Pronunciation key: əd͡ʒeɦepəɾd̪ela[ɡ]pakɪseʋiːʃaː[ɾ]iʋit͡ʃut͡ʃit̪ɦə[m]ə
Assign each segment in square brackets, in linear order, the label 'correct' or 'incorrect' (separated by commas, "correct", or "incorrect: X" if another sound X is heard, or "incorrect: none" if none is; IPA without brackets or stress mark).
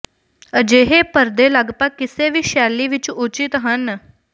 correct, incorrect: l, incorrect: n